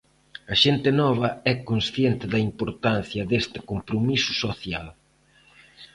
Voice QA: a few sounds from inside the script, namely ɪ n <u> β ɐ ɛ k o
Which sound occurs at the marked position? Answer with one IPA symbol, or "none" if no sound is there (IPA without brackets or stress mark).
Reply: ɔ